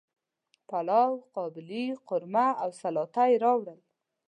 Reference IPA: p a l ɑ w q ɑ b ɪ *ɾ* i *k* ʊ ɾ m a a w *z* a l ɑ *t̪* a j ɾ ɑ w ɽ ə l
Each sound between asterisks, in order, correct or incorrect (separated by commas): incorrect, incorrect, incorrect, correct